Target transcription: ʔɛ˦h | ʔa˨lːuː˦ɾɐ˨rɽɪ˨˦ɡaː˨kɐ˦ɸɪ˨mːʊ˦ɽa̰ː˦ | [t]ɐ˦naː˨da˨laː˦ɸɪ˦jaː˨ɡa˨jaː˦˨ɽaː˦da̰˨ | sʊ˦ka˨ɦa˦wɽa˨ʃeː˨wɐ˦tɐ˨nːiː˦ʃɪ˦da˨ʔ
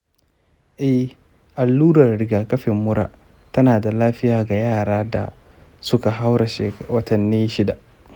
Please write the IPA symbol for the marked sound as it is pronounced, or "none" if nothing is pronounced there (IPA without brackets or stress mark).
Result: t